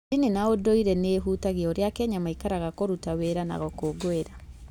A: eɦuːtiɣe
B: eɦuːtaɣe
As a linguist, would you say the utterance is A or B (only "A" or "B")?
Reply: B